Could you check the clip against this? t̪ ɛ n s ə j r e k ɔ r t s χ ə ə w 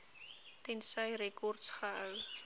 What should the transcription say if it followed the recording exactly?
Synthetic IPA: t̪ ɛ n s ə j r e k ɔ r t s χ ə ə w